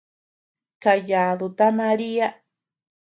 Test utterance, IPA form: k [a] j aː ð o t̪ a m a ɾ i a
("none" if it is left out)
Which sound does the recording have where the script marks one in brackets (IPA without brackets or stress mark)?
a